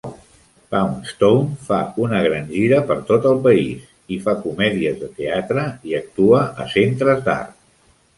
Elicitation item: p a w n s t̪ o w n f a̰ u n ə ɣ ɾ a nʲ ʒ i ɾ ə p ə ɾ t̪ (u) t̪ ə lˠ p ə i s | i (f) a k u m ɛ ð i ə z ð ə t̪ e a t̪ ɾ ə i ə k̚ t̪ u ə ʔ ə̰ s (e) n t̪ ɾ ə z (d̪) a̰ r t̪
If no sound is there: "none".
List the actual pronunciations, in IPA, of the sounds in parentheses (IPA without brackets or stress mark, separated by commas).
o, f, e, d̪